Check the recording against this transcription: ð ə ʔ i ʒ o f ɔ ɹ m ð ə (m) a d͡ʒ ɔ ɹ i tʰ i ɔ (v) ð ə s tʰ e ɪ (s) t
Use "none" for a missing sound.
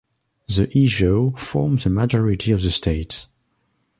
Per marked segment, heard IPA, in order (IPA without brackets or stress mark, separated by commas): m, v, none